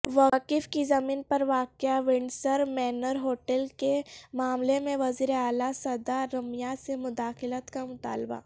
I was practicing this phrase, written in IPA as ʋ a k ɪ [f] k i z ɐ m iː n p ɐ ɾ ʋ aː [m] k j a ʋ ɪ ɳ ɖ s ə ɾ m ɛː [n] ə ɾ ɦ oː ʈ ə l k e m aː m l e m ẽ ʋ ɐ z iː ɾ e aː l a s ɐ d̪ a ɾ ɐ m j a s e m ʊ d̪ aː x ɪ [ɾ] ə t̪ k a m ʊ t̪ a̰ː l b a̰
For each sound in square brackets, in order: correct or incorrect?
correct, incorrect, correct, incorrect

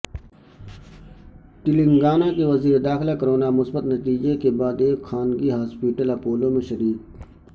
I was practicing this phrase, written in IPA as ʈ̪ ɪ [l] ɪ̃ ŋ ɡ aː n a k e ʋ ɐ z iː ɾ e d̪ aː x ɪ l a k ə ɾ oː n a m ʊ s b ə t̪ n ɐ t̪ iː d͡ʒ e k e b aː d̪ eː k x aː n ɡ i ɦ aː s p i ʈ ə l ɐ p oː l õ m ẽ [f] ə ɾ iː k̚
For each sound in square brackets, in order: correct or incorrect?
correct, incorrect

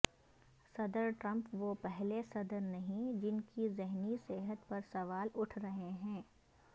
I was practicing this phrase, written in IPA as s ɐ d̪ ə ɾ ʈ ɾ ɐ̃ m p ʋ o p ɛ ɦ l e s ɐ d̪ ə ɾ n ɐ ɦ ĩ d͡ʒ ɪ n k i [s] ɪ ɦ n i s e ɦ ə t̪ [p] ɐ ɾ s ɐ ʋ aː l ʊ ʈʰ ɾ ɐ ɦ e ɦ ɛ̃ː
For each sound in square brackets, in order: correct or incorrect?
incorrect, correct

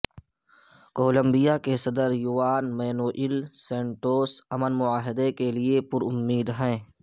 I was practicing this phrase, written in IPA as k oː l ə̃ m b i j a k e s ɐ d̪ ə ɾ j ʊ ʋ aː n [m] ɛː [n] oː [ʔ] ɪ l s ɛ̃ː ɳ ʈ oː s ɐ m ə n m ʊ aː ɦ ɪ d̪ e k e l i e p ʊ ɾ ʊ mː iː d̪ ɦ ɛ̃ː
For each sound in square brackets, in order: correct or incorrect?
correct, correct, correct

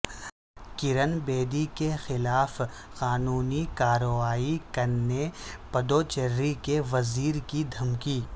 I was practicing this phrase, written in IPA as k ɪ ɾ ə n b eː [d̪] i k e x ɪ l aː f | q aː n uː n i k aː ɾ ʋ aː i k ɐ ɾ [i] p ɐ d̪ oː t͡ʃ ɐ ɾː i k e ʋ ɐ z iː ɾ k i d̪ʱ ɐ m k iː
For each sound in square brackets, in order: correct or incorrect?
correct, incorrect

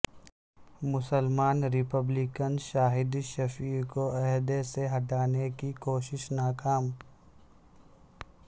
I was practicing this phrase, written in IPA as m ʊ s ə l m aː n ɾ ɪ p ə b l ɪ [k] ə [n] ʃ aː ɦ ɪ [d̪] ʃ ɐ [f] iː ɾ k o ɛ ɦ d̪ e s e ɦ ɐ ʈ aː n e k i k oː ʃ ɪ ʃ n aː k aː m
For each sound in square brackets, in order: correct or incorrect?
correct, correct, correct, correct

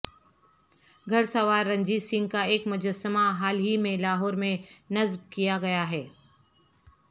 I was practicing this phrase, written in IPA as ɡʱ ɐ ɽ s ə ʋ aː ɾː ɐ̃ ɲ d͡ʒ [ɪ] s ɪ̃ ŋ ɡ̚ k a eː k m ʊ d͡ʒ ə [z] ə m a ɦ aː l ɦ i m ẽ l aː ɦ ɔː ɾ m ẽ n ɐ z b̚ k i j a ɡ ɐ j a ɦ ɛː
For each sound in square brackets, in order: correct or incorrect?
incorrect, incorrect

